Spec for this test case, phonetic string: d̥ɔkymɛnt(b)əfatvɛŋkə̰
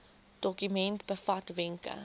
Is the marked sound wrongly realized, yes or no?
no